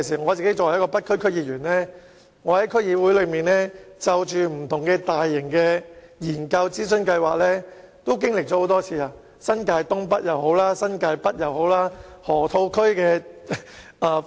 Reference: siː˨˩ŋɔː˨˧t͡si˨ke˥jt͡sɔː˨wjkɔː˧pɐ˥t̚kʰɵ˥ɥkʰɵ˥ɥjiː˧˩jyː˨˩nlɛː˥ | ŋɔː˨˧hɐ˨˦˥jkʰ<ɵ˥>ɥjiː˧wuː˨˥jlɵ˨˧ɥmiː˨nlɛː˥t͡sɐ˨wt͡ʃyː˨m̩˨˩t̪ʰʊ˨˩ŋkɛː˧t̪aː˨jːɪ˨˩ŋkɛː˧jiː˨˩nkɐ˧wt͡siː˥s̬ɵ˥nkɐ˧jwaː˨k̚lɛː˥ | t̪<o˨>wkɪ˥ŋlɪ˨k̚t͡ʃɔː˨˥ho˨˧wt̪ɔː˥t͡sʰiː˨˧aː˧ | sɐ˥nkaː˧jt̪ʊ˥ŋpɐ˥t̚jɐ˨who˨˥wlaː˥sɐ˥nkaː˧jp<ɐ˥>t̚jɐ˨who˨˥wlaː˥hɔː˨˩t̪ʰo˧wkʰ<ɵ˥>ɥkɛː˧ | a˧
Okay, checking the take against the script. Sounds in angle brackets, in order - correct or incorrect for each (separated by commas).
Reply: correct, incorrect, correct, correct